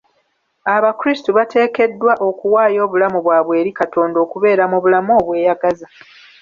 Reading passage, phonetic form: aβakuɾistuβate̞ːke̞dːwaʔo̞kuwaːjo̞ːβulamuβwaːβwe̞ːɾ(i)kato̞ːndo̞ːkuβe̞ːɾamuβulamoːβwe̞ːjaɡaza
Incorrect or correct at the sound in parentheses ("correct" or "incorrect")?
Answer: correct